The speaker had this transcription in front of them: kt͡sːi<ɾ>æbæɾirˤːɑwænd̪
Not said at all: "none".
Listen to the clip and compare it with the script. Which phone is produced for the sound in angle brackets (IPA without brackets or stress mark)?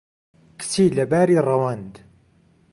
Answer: l